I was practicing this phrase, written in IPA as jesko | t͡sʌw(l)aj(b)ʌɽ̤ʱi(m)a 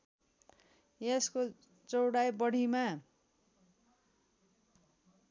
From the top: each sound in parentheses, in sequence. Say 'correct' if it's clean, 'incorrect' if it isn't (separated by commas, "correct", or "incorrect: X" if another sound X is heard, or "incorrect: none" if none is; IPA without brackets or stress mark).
incorrect: ɽ, correct, correct